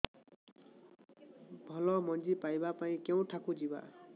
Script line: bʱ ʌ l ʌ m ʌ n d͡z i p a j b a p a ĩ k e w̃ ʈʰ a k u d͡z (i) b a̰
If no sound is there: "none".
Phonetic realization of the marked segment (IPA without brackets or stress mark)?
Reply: i